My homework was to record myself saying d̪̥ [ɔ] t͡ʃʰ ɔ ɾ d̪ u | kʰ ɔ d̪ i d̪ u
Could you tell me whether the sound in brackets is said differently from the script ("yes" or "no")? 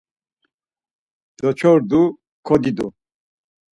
no